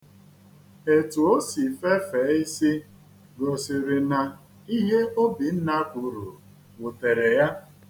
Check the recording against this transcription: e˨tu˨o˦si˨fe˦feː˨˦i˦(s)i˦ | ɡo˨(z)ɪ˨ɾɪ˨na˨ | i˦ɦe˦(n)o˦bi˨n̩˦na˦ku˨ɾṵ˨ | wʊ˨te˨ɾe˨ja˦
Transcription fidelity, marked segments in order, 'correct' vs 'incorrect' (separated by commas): correct, incorrect, incorrect